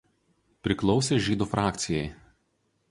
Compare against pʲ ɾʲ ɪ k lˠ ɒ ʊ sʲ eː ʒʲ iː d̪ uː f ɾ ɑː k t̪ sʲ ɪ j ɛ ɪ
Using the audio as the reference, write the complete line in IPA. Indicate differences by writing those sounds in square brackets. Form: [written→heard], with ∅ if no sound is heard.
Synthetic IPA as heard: pʲ ɾʲ ɪ k lˠ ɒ ʊ sʲ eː ʒʲ iː d̪ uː f ɾ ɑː k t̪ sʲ ɪ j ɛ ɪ

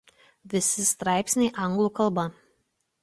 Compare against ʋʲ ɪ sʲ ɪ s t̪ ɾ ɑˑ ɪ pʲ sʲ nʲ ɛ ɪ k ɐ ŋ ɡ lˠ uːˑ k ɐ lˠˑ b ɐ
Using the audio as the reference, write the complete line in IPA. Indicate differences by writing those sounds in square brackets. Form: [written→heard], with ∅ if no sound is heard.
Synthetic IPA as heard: ʋʲ ɪ sʲ ɪ s t̪ ɾ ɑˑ ɪ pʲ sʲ nʲ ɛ ɪ [k→ʔ] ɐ ŋ ɡ lˠ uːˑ k ɐ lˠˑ b ɐ

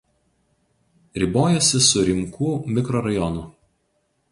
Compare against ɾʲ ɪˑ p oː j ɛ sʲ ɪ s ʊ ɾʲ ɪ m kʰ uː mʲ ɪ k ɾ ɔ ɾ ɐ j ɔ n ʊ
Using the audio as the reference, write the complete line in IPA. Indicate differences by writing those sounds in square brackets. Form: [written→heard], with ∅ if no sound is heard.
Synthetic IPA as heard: ɾʲ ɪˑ [p→b] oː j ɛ sʲ ɪ s ʊ ɾʲ ɪ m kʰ uː mʲ ɪ k ɾ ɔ ɾ ɐ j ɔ n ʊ

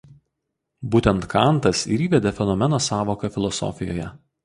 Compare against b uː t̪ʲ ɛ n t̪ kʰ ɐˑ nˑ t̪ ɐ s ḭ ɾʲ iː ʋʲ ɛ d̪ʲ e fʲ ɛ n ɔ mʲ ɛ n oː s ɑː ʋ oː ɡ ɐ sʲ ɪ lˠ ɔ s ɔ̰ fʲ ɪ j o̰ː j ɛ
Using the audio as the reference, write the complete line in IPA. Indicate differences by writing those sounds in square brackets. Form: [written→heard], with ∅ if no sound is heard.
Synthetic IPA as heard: b uː t̪ʲ ɛ n t̪ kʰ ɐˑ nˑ t̪ ɐ s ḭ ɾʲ iː ʋʲ ɛ d̪ʲ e fʲ ɛ n ɔ mʲ ɛ n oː s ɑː ʋ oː [ɡ→k] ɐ [sʲ→fʲ] ɪ lˠ ɔ s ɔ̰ fʲ ɪ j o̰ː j ɛ

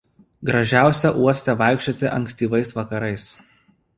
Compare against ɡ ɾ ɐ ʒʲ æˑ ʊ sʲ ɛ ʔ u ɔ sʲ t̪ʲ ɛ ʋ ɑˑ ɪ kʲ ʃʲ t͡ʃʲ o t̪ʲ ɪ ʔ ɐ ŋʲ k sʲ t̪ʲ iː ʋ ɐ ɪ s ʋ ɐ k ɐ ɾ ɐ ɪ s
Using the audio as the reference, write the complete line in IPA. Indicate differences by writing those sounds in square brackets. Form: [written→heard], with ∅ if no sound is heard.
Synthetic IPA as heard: ɡ ɾ ɐ ʒʲ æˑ ʊ sʲ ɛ ʔ u ɔ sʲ t̪ʲ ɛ ʋ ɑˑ ɪ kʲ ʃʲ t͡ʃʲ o t̪ʲ ɪ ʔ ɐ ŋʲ k sʲ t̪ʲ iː ʋ ɐ ɪ s ʋ ɐ k ɐ ɾ ɐ ɪ s

